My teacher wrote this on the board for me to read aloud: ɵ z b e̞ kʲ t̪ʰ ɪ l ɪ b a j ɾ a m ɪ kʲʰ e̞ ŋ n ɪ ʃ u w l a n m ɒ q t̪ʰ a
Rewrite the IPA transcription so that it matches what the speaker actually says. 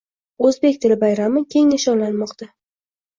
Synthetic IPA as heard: ɵ z b e̞ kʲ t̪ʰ ɪ l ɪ b a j ɾ a m ɪ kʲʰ e̞ ŋ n ɪ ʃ ɒ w l a n m ɒ q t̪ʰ a